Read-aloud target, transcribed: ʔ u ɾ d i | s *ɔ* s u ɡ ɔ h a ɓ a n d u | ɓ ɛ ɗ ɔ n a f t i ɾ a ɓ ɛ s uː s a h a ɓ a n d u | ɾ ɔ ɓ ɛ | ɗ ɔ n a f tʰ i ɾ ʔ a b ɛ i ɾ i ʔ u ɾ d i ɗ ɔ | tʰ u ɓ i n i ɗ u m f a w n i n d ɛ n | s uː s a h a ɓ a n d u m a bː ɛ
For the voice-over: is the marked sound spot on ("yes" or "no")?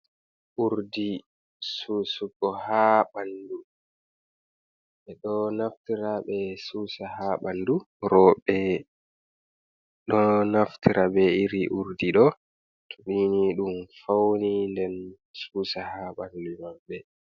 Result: no